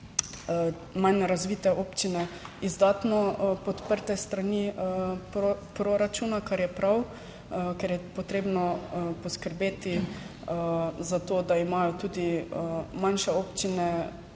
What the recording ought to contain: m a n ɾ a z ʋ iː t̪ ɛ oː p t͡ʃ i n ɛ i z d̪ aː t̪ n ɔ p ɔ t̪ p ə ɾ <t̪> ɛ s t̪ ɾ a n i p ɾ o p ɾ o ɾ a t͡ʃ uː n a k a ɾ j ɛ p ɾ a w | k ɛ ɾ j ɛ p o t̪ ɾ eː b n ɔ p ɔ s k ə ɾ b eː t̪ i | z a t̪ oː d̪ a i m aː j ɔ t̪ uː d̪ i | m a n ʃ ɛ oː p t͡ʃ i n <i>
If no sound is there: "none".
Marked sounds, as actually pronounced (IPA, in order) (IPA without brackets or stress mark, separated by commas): t̪, ɛ